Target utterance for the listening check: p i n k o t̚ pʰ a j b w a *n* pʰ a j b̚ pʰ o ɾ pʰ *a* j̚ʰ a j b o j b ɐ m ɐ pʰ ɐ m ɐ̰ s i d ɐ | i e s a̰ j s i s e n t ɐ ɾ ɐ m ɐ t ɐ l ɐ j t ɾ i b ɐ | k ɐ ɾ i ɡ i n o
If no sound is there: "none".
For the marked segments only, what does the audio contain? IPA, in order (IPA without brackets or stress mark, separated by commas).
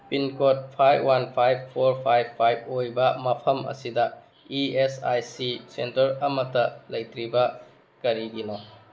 n, a